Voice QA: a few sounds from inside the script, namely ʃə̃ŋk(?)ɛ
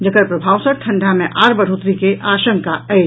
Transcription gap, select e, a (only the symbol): a